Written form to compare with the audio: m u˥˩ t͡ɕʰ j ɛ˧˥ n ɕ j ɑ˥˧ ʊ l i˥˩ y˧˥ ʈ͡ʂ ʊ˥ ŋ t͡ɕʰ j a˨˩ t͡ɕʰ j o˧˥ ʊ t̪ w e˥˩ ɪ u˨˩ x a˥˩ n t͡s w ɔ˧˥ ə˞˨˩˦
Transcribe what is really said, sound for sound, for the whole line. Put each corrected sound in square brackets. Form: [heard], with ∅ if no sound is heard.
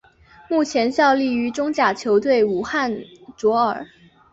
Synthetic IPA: m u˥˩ t͡ɕʰ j ɛ˧˥ n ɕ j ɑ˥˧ ʊ l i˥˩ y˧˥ ʈ͡ʂ ʊ˥ ŋ [t͡ɕ] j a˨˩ t͡ɕʰ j o˧˥ ʊ t̪ w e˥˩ ɪ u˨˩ x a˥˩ n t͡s w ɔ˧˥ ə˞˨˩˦

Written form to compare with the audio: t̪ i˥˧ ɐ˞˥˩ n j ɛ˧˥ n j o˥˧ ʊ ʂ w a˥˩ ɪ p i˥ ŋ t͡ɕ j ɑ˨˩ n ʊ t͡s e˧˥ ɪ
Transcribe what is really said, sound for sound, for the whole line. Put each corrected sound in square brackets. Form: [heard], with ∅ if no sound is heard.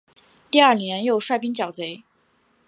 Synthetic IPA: t̪ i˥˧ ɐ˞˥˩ n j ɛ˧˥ n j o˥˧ ʊ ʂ w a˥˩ ɪ p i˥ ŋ t͡ɕ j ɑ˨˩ [∅] ʊ t͡s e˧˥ ɪ

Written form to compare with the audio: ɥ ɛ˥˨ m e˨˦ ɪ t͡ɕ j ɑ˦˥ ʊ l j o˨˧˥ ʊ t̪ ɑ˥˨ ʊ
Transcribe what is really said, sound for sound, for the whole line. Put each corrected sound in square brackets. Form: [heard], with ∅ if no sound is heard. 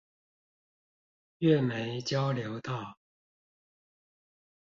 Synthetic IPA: ɥ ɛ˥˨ m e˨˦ ɪ t͡ɕ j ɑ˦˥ ʊ l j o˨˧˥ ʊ t̪ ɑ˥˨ ʊ

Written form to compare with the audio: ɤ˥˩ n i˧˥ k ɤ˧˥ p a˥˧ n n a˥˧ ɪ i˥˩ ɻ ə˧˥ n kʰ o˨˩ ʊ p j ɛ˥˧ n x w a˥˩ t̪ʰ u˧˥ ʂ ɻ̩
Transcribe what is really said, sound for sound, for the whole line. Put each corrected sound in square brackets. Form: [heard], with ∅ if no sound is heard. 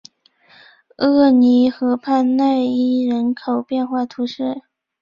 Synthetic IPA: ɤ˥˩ n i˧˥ [x] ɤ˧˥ [pʰ] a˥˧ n n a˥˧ ɪ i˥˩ ɻ ə˧˥ n kʰ o˨˩ ʊ p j ɛ˥˧ n x w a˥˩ t̪ʰ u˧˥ ʂ ɻ̩

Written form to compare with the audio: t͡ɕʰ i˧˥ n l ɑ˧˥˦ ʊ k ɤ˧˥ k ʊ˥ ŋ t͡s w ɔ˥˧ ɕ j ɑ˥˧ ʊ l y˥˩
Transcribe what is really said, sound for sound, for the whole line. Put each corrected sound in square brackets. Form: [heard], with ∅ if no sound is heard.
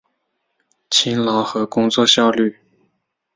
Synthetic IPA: t͡ɕʰ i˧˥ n l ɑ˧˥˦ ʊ [x] ɤ˧˥ k ʊ˥ ŋ t͡s w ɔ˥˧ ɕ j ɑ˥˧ ʊ l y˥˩

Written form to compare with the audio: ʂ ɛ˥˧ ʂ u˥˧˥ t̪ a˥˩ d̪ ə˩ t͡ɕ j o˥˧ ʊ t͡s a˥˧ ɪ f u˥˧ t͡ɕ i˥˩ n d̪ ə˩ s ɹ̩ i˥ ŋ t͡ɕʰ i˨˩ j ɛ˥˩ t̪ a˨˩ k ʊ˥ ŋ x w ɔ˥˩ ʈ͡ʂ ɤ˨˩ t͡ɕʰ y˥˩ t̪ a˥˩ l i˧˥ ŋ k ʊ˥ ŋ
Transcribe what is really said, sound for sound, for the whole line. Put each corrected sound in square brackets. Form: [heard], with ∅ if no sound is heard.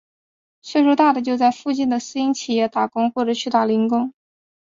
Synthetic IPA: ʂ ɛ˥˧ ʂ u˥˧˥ t̪ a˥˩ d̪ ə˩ t͡ɕ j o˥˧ ʊ t͡s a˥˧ ɪ f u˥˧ t͡ɕ i˥˩ n d̪ ə˩ s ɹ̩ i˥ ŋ t͡ɕʰ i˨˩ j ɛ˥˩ t̪ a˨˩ k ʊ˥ ŋ x w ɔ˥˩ ʈ͡ʂ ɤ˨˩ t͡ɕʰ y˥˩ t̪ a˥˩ l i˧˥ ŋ k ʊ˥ ŋ

